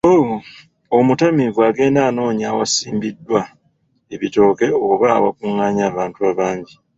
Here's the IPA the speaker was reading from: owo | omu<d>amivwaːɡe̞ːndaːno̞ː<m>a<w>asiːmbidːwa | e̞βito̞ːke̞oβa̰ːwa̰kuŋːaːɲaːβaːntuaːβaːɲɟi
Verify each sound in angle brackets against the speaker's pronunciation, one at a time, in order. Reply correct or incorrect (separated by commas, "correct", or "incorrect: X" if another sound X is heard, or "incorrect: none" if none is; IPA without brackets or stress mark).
incorrect: t, incorrect: ɲ, correct